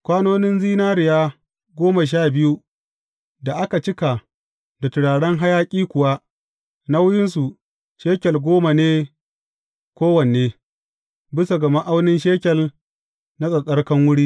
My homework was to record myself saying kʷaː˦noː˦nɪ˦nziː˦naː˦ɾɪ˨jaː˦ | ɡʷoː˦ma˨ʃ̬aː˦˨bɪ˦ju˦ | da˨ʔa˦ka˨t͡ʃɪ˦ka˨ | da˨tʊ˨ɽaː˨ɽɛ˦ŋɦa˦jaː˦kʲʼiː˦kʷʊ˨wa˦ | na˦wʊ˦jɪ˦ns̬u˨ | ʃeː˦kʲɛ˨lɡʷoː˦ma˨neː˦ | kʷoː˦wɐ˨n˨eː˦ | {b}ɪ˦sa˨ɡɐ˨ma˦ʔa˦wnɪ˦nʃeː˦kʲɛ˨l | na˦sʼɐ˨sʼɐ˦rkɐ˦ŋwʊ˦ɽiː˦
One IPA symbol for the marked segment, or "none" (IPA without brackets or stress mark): b